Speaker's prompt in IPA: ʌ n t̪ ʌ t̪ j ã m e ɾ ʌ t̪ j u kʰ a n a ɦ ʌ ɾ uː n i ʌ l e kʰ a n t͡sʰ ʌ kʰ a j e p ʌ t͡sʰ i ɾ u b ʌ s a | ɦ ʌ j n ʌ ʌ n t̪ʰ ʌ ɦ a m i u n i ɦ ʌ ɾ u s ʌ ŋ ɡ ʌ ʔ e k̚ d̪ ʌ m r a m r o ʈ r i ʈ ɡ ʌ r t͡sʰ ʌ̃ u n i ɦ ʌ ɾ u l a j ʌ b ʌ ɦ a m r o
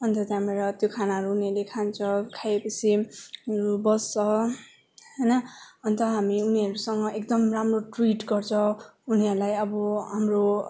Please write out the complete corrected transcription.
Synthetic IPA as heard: ʌ n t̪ ʌ t̪ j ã m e ɾ ʌ t̪ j o kʰ a n a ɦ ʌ ɾ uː n i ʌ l e kʰ a n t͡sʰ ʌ kʰ a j e p ʌ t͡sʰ i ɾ u b ʌ s ʌ | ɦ ʌ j n ʌ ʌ n t̪ ʌ ɦ a m i u n i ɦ ʌ ɾ u s ʌ ŋ ɡ ʌ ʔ e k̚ d̪ ʌ m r a m r o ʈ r i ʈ ɡ ʌ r t͡sʰ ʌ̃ u n i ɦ ʌ ɾ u l a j ʌ b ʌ ɦ a m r o